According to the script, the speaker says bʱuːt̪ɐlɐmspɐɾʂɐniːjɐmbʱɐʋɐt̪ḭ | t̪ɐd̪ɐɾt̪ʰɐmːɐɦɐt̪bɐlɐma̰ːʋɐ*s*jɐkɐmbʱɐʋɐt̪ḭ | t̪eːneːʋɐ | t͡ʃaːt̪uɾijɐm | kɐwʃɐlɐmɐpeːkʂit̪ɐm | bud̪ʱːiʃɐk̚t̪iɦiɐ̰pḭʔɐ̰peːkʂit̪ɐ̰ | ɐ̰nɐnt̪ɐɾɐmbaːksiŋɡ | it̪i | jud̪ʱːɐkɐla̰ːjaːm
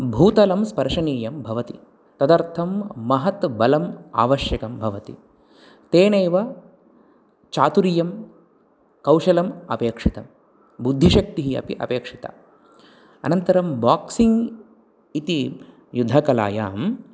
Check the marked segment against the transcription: incorrect: ʃ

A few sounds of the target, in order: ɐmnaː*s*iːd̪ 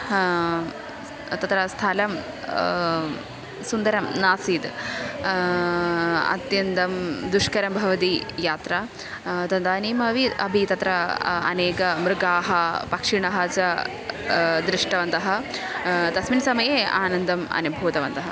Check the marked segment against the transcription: correct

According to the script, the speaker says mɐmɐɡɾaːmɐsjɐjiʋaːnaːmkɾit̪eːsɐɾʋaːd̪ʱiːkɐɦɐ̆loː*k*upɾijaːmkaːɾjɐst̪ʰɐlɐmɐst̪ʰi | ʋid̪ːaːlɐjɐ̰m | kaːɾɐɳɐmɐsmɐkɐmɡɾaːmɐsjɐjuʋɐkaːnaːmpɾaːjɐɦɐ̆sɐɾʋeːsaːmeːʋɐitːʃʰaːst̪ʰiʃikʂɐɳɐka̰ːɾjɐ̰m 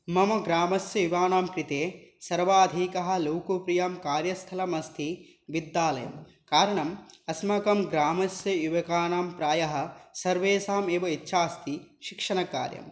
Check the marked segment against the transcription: correct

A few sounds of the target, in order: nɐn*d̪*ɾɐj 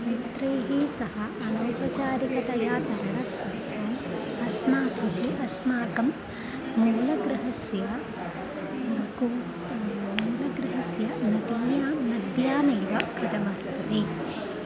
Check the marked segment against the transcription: incorrect: t̪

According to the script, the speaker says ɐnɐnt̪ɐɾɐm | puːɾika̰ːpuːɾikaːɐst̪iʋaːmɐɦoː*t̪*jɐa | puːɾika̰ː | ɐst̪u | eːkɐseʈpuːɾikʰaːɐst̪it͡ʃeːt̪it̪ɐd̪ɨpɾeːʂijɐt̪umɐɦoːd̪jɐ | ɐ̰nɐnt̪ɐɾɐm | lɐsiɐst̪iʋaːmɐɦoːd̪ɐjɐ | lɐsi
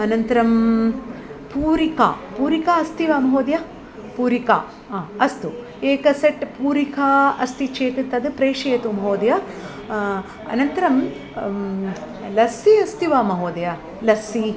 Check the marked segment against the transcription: incorrect: d̪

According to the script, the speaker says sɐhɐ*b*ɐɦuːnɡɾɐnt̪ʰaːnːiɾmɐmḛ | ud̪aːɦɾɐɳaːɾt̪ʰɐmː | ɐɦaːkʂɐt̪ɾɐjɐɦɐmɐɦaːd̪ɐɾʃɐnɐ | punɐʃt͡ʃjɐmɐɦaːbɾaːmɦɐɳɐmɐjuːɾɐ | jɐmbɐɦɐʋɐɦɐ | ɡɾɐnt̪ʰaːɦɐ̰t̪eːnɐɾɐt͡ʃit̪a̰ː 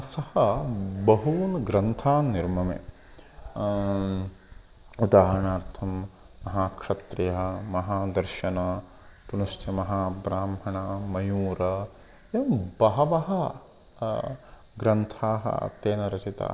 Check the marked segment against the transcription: correct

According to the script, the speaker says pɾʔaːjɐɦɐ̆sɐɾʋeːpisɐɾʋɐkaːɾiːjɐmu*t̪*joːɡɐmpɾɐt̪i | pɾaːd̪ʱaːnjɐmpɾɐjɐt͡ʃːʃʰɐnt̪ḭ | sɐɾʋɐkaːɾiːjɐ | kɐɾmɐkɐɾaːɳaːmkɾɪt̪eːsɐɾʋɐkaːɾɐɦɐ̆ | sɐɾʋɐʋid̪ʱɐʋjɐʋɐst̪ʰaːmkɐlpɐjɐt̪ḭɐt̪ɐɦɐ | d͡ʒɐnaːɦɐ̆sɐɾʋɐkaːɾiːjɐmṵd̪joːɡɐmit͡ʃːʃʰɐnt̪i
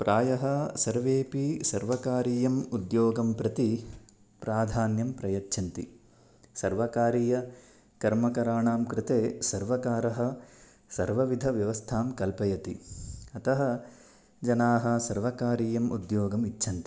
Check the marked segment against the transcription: incorrect: d̪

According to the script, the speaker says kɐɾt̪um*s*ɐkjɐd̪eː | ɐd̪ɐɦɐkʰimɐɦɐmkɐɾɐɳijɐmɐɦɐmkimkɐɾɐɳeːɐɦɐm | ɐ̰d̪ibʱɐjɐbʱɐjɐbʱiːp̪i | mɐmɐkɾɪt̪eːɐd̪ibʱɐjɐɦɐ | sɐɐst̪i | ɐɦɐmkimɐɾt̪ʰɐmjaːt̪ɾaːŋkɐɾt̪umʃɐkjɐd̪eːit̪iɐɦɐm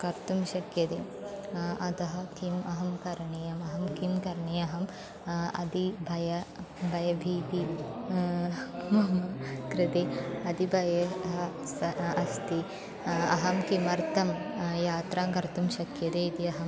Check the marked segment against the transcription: incorrect: ʃ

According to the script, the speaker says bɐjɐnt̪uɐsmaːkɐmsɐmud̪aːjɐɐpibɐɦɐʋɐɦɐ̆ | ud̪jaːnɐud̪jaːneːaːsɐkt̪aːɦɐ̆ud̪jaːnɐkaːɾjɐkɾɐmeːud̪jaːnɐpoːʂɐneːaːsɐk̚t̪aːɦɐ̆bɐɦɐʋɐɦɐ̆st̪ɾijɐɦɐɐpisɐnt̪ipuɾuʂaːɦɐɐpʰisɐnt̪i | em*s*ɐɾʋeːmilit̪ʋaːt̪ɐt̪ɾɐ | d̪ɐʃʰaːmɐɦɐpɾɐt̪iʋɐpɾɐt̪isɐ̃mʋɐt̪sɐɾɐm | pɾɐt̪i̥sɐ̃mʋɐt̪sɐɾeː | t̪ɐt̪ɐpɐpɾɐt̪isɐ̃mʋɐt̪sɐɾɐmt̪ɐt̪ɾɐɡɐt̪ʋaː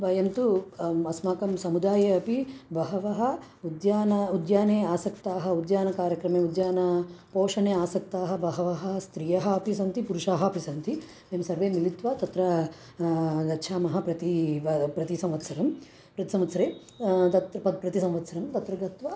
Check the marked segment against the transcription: correct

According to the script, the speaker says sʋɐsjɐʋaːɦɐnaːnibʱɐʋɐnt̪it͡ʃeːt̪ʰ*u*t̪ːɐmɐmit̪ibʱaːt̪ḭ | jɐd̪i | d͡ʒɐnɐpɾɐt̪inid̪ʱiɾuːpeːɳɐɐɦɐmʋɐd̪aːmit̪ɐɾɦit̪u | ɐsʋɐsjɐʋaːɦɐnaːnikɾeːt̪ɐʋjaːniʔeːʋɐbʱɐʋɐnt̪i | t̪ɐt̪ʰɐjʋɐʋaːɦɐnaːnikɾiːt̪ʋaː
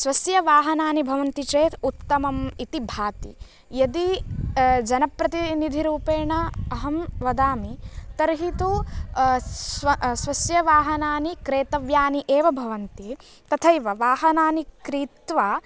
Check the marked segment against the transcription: correct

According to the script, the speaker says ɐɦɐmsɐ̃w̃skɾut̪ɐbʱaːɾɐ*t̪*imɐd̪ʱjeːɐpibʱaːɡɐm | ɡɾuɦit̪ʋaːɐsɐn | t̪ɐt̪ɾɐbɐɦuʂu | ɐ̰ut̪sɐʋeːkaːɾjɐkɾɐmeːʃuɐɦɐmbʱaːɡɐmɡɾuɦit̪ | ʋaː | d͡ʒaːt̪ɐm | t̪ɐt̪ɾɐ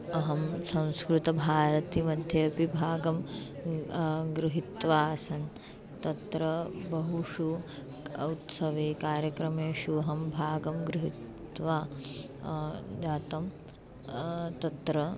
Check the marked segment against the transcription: correct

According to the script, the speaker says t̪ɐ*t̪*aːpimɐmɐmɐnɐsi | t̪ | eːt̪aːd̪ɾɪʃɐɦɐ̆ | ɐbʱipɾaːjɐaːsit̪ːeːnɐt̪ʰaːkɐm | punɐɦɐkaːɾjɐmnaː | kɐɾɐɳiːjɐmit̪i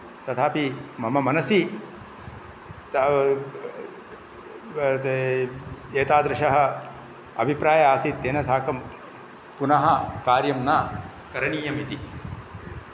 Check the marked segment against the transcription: incorrect: t̪ʰ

